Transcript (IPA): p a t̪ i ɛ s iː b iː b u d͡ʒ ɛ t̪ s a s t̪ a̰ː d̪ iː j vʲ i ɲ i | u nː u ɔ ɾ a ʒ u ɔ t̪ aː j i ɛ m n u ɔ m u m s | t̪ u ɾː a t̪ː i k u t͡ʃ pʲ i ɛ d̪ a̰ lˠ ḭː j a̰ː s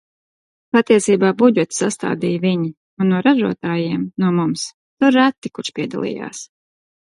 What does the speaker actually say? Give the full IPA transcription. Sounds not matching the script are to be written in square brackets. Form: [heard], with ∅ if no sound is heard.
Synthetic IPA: p a t̪ i ɛ s iː b [aː] b u d͡ʒ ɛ t̪ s a s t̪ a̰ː d̪ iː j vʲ i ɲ i | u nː u ɔ ɾ a ʒ u ɔ t̪ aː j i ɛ m n u ɔ m u m s | t̪ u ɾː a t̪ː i k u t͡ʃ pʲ i ɛ d̪ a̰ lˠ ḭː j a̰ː s